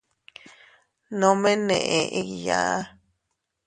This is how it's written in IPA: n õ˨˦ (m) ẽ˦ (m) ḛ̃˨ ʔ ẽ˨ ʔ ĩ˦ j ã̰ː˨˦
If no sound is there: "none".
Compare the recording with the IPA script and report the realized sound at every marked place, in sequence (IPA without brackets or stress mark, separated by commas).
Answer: m, n